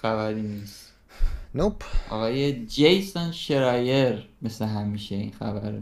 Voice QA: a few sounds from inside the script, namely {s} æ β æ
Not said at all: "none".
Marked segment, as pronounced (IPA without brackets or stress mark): x